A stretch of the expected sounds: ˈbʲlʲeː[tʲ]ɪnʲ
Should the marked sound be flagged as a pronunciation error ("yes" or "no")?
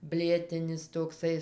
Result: no